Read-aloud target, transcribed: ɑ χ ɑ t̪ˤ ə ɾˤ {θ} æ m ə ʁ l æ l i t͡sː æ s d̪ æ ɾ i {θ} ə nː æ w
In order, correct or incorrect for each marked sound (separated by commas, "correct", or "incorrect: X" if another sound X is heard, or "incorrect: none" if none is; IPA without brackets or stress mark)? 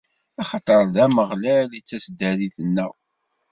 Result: incorrect: ð, correct